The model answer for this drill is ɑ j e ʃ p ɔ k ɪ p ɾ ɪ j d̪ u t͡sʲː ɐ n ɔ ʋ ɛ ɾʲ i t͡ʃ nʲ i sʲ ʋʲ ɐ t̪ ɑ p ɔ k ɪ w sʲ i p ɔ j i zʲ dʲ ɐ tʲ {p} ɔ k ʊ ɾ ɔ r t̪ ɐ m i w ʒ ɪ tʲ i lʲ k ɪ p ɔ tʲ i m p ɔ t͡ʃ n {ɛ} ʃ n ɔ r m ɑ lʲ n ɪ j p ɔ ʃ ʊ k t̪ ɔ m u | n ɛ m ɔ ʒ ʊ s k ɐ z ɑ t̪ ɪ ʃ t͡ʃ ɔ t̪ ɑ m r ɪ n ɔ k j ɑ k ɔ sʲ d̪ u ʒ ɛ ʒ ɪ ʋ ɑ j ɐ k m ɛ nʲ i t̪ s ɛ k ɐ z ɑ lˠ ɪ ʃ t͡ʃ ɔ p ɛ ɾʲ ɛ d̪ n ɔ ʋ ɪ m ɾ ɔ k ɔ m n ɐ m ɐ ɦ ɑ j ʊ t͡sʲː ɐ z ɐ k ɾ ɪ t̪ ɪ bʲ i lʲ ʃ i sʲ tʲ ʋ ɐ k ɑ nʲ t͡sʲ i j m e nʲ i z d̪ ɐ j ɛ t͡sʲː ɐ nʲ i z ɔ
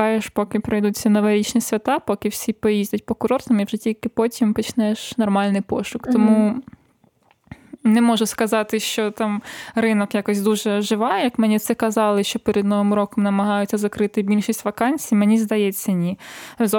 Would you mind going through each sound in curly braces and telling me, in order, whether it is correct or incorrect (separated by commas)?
correct, correct